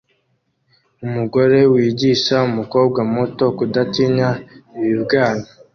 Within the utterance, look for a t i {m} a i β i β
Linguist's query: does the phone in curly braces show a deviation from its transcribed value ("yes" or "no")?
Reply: yes